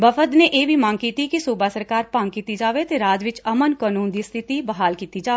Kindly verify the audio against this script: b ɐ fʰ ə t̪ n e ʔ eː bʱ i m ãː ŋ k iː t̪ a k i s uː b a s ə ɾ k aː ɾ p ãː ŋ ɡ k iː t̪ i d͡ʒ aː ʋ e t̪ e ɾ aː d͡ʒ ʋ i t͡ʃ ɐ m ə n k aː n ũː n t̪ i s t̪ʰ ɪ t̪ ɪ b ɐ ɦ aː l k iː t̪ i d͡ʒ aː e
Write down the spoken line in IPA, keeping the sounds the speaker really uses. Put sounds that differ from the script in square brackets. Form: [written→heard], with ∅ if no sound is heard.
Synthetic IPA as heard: b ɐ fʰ ə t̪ n e ʔ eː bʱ i m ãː ŋ k iː t̪ [a→i] k i s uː b a s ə ɾ k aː ɾ p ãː ŋ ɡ k iː t̪ i d͡ʒ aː ʋ e t̪ e ɾ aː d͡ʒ ʋ [i→ɪ] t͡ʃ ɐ m ə n k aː n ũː n [t̪→d̪] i s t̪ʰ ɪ t̪ [ɪ→i] b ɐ ɦ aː l k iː t̪ i d͡ʒ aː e